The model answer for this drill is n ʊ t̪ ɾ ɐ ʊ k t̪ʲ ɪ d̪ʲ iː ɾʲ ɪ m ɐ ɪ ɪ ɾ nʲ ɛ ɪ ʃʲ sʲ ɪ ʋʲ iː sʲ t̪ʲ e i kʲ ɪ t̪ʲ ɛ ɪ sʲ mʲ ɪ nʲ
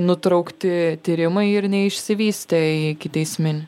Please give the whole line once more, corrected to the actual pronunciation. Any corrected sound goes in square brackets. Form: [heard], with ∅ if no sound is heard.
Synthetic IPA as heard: n ʊ t̪ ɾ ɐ ʊ k t̪ʲ ɪ [t̪ʲ] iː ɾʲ ɪ m ɐ ɪ ɪ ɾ nʲ ɛ ɪ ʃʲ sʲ ɪ ʋʲ iː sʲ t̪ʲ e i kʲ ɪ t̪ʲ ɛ ɪ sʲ mʲ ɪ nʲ